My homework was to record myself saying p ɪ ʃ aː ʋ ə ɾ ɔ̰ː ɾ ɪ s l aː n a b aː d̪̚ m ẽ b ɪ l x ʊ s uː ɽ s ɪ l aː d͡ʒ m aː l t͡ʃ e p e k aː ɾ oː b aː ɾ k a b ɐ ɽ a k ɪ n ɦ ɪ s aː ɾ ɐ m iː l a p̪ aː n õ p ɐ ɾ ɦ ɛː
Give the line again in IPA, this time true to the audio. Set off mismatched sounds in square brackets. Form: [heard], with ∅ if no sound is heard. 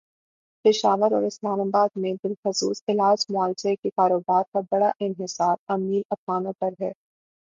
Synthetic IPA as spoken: p ɪ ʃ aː ʋ ə ɾ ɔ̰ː ɾ ɪ s l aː [m] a b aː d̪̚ m ẽ b ɪ l x ʊ s uː [∅] s ɪ l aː d͡ʒ m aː l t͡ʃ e [k] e k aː ɾ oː b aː ɾ k a b ɐ ɽ a [ʔ] ɪ n ɦ ɪ s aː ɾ ɐ m iː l [ɐ] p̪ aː n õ p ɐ ɾ ɦ ɛː